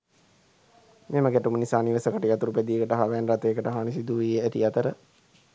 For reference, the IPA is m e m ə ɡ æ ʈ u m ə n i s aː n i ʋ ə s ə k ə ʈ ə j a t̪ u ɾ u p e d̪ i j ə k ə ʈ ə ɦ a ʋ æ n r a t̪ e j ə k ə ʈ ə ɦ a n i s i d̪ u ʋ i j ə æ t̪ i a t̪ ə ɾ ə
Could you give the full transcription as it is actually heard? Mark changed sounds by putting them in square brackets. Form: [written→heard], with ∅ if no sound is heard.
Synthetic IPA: m e m ə ɡ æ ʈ u m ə n i s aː n i ʋ ə s ə k ə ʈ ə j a t̪ u ɾ u p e d̪ i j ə k ə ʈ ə ɦ a ʋ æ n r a t̪ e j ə k ə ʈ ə ɦ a n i s i d̪ u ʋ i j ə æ t̪ i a t̪ ə ɾ ə